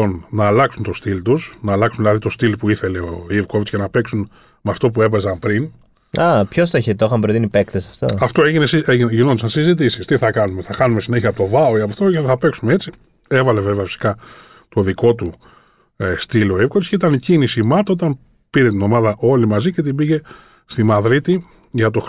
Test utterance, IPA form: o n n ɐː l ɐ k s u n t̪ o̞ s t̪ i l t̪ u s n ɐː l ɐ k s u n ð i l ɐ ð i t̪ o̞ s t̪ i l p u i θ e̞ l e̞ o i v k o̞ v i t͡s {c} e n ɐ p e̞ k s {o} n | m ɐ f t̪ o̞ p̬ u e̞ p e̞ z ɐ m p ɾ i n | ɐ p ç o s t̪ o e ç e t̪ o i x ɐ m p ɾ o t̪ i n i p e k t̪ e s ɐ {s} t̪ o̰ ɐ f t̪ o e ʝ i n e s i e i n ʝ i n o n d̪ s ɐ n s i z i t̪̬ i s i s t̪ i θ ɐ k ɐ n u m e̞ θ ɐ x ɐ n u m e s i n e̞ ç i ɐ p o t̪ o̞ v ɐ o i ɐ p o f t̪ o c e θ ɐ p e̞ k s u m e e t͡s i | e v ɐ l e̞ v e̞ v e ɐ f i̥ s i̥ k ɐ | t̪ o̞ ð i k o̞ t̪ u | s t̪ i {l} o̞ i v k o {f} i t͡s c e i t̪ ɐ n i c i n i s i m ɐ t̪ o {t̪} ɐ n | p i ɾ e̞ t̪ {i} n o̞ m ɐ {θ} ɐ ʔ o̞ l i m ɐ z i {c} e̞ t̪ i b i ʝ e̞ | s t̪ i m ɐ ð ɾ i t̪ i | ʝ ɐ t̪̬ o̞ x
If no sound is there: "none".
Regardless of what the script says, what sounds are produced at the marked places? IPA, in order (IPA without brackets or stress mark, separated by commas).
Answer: c, u, f, l, v, t̪, i, ð, c